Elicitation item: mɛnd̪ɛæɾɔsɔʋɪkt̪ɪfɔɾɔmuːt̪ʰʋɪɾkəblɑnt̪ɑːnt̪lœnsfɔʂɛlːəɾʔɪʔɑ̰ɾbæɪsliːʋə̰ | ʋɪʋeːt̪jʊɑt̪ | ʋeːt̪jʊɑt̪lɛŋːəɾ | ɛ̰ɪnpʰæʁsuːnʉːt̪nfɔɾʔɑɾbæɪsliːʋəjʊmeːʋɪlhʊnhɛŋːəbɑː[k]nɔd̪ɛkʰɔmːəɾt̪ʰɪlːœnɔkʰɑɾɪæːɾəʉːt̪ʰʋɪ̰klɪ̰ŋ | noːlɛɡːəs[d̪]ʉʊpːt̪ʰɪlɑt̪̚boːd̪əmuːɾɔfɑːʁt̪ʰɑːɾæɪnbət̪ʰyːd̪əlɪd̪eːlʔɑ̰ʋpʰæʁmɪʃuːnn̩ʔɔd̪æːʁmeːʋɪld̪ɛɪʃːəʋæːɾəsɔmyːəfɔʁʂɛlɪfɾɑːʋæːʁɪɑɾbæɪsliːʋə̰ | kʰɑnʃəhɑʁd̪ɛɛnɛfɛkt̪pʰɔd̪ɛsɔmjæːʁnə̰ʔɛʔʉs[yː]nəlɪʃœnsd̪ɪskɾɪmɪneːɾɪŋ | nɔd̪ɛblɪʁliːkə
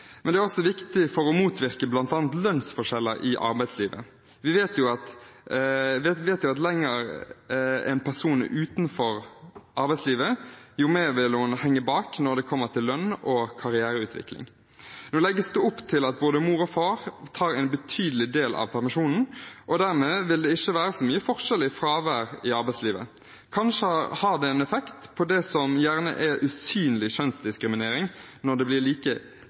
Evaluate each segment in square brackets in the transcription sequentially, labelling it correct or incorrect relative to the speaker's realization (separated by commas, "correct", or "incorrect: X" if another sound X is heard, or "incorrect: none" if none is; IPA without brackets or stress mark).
correct, correct, correct